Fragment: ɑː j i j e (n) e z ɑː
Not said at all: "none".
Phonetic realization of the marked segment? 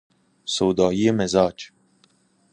m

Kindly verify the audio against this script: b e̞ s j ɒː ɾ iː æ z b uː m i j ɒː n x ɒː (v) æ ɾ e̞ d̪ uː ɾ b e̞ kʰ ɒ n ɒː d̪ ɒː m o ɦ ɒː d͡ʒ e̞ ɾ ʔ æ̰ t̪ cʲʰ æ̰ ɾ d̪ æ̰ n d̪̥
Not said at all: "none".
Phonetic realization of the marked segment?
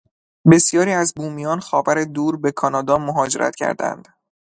v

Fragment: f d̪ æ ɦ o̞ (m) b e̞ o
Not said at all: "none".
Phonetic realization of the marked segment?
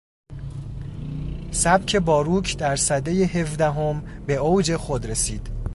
m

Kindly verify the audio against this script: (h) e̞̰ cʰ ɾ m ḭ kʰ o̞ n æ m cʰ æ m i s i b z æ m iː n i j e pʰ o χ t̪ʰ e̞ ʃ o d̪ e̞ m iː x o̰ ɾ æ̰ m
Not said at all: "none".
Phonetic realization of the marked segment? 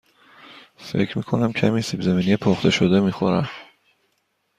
f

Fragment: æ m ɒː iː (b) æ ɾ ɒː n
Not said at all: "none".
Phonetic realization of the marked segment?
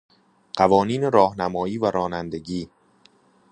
v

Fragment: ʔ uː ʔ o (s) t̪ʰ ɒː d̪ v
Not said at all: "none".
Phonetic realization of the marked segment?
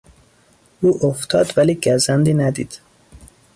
f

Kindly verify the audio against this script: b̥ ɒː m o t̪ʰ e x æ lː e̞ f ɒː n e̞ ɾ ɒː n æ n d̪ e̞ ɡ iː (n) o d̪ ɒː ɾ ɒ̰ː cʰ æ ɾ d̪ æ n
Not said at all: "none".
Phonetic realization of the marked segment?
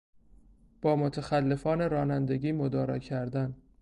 m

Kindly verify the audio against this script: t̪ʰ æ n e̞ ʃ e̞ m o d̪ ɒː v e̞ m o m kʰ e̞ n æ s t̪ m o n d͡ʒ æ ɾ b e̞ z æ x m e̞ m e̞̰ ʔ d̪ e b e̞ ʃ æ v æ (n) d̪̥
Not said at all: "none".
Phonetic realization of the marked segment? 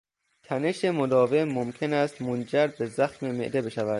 none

